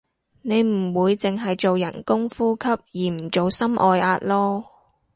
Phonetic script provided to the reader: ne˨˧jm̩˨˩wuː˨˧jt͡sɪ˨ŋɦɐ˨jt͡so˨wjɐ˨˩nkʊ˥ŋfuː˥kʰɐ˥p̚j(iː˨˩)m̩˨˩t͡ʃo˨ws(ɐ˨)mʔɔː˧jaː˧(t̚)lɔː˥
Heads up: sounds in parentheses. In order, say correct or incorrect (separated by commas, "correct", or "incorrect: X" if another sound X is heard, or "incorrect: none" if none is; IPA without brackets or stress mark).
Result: correct, incorrect: ɐ˥, correct